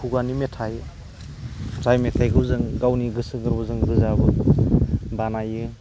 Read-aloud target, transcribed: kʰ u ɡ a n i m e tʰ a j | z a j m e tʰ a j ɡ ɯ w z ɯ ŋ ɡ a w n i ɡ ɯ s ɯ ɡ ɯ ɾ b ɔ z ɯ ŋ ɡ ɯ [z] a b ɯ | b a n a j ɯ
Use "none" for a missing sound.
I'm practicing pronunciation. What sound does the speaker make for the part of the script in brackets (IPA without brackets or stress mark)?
z